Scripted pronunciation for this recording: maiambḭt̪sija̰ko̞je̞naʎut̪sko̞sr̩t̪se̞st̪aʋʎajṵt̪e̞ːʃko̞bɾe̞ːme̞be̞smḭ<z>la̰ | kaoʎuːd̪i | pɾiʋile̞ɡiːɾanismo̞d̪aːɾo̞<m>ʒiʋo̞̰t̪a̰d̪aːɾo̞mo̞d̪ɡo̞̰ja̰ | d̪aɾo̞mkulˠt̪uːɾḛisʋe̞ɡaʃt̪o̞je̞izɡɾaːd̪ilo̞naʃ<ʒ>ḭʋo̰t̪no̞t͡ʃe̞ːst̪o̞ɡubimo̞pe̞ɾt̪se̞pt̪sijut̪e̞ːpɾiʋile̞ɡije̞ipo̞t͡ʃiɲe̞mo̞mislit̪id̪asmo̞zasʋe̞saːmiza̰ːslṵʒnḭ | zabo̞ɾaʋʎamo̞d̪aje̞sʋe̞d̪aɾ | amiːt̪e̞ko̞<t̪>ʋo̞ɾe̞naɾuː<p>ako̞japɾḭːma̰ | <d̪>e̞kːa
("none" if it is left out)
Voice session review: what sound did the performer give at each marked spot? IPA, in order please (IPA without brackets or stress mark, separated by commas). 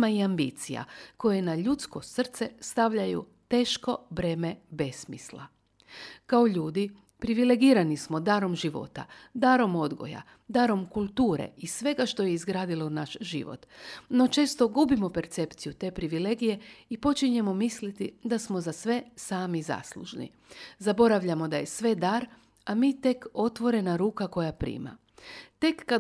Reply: s, m, ʒ, t̪, k, t̪